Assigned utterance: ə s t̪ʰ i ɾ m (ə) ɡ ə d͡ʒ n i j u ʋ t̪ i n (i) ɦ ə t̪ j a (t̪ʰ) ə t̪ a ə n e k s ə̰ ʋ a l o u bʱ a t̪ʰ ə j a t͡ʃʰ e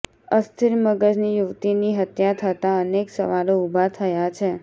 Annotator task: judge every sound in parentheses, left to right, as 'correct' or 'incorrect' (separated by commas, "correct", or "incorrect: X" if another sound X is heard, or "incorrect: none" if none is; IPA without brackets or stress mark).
correct, correct, correct